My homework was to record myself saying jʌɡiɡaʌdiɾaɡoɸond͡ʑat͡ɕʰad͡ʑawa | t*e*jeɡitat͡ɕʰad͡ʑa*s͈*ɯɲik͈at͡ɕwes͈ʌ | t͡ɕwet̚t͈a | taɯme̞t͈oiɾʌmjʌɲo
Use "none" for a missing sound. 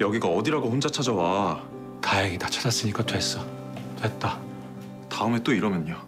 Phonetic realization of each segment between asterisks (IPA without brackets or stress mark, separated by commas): a, s͈